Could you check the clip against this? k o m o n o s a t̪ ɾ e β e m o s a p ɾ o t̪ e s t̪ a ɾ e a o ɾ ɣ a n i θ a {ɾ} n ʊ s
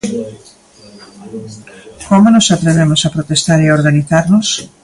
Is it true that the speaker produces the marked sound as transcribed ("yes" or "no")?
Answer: yes